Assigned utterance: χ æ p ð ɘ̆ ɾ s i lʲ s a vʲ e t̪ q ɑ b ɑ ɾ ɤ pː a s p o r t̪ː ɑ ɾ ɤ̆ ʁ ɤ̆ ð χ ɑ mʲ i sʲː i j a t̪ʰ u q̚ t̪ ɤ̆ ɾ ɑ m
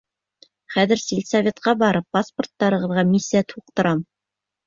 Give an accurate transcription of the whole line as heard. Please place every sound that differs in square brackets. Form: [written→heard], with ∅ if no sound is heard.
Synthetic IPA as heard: χ æ [p→∅] ð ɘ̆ ɾ s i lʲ s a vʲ e t̪ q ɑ b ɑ ɾ ɤ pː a s p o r t̪ː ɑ ɾ ɤ̆ ʁ ɤ̆ ð [χ→ʁ] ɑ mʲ i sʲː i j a t̪ʰ u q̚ t̪ ɤ̆ ɾ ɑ m